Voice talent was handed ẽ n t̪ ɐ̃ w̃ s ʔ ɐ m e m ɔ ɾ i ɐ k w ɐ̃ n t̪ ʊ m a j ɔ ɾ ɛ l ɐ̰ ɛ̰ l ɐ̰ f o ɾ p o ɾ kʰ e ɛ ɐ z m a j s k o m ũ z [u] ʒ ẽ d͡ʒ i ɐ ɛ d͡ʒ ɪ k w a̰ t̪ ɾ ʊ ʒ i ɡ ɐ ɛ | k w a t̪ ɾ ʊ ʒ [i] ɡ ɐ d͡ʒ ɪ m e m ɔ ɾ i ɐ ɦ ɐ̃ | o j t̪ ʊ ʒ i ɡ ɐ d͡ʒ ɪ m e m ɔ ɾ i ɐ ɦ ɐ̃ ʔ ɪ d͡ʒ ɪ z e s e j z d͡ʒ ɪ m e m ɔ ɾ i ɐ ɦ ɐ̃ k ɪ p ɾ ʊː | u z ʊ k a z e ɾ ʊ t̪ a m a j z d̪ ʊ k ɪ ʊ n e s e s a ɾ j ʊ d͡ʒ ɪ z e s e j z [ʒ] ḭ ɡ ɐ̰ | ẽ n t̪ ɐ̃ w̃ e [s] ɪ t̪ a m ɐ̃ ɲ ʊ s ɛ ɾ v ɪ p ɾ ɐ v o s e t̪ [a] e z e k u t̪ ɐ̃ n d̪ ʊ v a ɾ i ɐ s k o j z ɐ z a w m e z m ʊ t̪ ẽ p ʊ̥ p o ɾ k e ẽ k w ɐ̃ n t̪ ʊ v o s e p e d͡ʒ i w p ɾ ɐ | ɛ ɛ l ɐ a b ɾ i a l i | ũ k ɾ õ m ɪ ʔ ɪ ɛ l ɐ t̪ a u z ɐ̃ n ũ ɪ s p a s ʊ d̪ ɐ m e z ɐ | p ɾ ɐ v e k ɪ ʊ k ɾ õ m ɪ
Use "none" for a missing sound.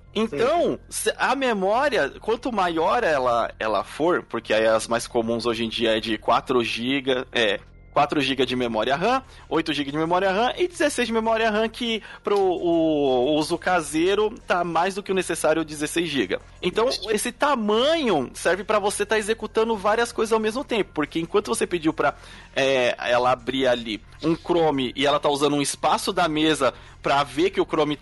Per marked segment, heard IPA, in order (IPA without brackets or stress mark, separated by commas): o, i, ʒ, s, a